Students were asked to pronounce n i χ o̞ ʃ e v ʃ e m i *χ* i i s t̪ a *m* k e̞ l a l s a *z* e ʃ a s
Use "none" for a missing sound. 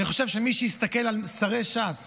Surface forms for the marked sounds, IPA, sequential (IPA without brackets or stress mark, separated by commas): ʃ, none, ʁ